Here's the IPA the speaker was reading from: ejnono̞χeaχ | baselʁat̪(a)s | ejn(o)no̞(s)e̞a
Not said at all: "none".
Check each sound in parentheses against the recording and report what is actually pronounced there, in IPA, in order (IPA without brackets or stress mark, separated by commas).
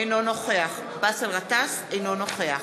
a, o, χ